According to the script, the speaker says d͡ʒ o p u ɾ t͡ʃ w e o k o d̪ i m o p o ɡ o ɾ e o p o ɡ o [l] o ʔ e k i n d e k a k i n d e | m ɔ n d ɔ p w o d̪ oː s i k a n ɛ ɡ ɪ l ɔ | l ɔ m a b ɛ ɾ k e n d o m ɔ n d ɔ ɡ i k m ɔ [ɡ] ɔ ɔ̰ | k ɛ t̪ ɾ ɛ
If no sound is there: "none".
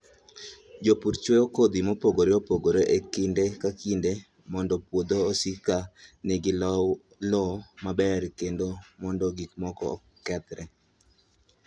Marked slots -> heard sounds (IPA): ɾ, k

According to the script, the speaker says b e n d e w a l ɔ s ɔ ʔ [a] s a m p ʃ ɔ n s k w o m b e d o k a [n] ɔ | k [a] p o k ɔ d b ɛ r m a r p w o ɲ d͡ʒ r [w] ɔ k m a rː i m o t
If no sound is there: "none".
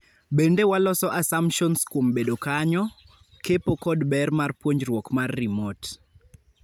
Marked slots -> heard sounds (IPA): a, ɲ, e, w

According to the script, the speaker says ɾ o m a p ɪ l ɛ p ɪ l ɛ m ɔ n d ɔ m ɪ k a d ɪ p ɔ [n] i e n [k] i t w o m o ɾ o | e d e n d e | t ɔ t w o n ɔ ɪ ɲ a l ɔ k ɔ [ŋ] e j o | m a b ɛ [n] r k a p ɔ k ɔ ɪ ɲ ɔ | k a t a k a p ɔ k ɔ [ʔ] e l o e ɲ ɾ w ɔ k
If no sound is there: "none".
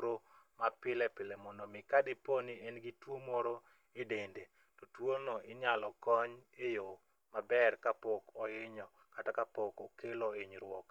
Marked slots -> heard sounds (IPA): n, ɡ, ɲ, none, k

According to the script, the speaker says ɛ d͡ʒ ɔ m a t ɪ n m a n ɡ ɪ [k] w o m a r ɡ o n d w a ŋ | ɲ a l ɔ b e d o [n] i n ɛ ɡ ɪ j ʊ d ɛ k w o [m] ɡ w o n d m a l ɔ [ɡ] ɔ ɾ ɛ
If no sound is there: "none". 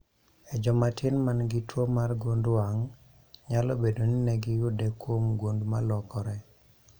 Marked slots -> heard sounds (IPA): t, n, m, k

